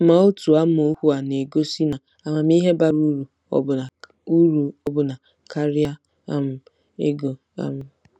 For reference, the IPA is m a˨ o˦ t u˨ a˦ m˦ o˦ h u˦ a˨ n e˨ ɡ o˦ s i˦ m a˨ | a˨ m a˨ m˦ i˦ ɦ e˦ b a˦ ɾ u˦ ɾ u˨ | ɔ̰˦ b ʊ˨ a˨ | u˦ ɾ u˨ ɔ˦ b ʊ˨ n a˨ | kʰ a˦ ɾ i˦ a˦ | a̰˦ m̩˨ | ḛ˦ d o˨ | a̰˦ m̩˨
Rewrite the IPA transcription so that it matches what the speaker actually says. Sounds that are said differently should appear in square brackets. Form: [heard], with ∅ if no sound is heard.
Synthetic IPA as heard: m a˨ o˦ t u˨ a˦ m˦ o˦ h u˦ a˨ n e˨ ɡ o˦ s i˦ [n] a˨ | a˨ m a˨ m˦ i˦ ɦ e˦ b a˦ ɾ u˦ ɾ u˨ | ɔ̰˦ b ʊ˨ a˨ | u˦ ɾ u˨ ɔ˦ b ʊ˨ n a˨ | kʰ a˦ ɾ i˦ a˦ | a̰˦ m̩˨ | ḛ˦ [ɡ] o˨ | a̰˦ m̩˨